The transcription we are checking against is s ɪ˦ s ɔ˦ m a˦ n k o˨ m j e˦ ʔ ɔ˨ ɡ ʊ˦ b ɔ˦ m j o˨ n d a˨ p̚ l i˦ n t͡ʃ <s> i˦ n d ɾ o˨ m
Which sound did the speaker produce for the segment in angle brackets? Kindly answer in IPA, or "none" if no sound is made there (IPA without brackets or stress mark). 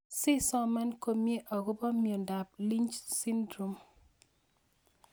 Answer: s